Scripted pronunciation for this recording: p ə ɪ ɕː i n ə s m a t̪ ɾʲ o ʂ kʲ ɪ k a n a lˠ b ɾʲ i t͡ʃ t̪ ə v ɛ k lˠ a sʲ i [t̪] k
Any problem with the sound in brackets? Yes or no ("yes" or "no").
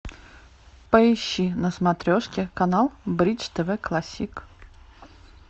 yes